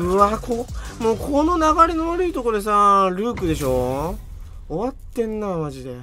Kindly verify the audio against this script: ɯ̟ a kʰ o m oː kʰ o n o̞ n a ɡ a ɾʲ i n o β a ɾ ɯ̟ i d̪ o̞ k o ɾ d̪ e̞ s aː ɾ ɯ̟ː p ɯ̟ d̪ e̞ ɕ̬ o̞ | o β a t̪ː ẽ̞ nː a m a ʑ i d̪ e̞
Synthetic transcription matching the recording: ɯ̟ a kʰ o m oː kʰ o n o̞ n a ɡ a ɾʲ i n o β a ɾ ɯ̟ i t̪ o̞ k o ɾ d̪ e̞ s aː ɾ ɯ̟ː k ɯ̟ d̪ e̞ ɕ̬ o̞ | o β a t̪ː ẽ̞ nː a m a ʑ i d̪ e̞